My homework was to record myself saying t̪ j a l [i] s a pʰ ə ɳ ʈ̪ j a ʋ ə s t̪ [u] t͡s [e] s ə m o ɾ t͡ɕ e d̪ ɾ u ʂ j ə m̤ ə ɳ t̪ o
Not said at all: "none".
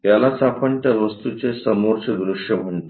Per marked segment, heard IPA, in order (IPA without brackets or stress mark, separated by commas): a, u, e